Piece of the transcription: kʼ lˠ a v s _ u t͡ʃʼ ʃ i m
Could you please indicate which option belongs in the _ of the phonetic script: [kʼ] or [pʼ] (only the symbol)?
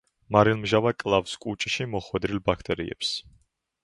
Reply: kʼ